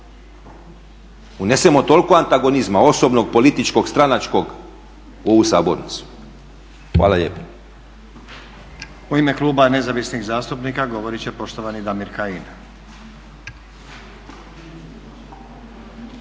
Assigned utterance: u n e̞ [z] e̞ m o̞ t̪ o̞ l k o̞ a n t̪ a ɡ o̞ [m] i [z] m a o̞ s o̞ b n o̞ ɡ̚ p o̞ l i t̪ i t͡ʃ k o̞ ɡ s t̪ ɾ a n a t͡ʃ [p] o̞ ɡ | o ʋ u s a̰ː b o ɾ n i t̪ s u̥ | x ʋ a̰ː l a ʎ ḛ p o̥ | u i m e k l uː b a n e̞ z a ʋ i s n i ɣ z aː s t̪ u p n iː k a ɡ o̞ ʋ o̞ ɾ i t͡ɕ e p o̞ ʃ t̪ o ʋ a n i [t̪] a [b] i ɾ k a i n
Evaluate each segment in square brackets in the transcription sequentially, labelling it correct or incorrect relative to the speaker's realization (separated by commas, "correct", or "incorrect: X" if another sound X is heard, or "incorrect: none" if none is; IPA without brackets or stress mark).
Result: incorrect: s, incorrect: n, correct, incorrect: k, incorrect: d̪, incorrect: m